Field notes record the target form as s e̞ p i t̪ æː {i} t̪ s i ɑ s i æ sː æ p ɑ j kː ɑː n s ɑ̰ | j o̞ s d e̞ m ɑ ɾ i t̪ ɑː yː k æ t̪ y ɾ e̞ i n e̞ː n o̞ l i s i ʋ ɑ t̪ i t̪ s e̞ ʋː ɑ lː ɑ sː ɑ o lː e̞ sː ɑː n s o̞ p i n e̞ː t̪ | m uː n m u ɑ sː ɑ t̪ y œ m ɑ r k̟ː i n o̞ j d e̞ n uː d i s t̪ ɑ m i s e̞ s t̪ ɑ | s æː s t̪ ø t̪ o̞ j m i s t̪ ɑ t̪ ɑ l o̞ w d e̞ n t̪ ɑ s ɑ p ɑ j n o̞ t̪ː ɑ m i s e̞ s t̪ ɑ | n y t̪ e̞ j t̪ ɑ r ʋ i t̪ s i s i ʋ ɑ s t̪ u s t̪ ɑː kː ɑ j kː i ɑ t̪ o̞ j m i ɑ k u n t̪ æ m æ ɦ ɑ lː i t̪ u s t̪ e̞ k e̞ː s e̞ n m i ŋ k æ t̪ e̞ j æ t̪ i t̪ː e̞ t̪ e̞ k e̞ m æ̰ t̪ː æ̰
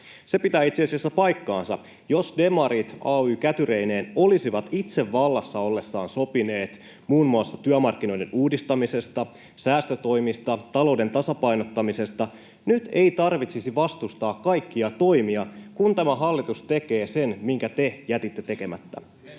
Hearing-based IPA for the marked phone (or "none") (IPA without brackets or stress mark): i